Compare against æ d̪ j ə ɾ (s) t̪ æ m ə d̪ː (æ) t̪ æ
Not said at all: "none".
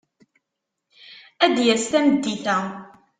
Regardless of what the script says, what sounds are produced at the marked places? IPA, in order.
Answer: s, i

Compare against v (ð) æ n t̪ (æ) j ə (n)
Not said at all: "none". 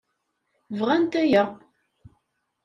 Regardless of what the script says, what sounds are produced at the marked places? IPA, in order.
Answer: ʁ, æ, none

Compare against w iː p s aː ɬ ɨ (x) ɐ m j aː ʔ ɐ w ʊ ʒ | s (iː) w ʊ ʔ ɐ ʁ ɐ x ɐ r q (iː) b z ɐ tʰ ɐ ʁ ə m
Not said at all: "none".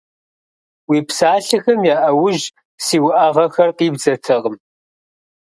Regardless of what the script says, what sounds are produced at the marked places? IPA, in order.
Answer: x, iː, iː

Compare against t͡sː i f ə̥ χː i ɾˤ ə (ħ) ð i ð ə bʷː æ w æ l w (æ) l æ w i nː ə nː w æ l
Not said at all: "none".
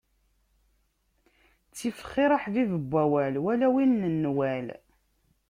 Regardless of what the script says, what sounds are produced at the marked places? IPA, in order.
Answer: ħ, æ

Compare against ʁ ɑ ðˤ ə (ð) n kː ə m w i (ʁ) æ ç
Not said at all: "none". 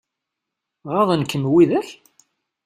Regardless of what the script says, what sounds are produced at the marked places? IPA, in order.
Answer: none, ð

